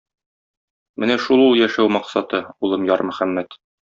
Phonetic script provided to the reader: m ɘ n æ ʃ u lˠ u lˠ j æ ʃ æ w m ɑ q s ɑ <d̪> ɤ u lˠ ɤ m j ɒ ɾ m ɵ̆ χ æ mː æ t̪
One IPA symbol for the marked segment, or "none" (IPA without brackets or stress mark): t̪